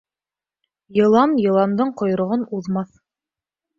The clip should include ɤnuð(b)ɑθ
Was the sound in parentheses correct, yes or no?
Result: no